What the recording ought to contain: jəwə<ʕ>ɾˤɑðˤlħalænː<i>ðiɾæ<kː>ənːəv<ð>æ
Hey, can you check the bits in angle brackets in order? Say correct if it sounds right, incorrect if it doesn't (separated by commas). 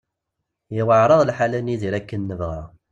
correct, correct, correct, incorrect